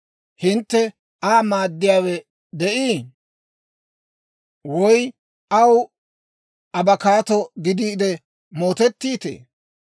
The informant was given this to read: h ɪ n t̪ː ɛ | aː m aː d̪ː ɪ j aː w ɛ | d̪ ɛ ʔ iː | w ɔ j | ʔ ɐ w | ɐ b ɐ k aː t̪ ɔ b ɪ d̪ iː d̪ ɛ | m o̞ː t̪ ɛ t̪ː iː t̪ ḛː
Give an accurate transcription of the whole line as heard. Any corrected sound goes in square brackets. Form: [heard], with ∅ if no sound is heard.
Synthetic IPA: h ɪ n t̪ː ɛ | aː m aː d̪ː ɪ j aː w ɛ | d̪ ɛ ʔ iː | w ɔ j | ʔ ɐ w | ɐ b ɐ k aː t̪ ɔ [ɡ] ɪ d̪ iː d̪ ɛ | m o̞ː t̪ ɛ t̪ː iː t̪ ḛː

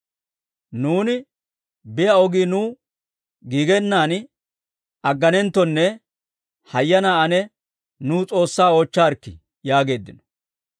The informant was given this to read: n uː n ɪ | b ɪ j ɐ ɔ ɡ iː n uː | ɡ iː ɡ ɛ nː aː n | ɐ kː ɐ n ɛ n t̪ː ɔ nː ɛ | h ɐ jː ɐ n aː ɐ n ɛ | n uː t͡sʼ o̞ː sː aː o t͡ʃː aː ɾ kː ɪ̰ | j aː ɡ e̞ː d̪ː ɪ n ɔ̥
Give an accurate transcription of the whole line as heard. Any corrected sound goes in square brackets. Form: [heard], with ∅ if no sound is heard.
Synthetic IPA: n uː n ɪ | b ɪ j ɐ ɔ ɡ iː n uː | ɡ iː ɡ ɛ nː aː n | ɐ [ɡː] ɐ n ɛ n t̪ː ɔ nː ɛ | h ɐ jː ɐ n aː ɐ n ɛ | n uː t͡sʼ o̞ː sː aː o t͡ʃː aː ɾ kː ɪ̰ | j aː ɡ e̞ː d̪ː ɪ n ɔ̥

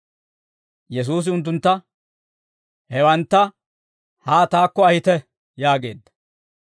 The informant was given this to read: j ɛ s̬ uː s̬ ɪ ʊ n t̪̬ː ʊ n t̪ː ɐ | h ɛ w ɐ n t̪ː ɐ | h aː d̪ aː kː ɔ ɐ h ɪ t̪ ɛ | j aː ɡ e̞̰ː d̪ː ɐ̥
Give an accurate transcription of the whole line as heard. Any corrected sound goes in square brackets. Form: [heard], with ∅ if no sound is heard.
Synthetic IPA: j ɛ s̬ uː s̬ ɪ ʊ n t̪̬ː ʊ n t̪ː ɐ | h ɛ w ɐ n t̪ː ɐ | h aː [t̪] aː kː ɔ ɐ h ɪ t̪ ɛ | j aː ɡ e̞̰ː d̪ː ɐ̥

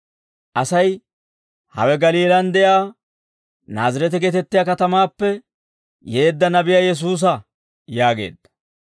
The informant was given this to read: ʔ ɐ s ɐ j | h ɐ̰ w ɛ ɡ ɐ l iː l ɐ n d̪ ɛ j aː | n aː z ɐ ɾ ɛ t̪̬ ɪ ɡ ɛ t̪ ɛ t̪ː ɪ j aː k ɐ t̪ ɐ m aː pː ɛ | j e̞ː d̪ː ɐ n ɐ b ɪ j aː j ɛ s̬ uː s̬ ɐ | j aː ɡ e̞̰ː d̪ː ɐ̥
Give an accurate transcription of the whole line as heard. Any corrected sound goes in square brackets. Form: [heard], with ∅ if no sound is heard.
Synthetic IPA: ʔ ɐ s ɐ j | h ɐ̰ w ɛ ɡ ɐ l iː l ɐ n d̪ ɛ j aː | n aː z ɐ ɾ ɛ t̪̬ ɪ ɡ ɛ t̪ ɛ t̪ː ɪ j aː k ɐ t̪ ɐ m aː pː ɛ | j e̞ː d̪ː ɐ n ɐ b ɪ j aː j ɛ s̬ uː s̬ ɐ | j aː ɡ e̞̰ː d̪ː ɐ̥

